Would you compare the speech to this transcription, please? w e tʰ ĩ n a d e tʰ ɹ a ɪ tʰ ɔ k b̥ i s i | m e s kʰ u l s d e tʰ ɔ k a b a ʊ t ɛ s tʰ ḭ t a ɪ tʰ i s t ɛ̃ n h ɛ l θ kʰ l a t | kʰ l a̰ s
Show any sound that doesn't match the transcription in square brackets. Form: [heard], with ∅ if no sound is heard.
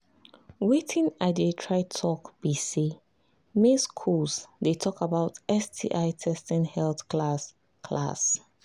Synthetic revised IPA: w e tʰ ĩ n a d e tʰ ɹ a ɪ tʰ ɔ k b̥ i s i | m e s kʰ u l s d e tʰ ɔ k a b a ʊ t ɛ s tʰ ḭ [ʔ] a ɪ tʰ [ɛ] s t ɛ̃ n h ɛ l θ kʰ l a [s] | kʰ l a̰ s